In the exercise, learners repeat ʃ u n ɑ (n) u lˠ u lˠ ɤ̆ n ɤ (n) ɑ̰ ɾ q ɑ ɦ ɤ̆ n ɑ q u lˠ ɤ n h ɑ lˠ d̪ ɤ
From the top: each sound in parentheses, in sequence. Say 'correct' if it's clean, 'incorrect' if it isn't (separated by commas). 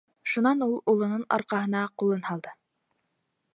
correct, correct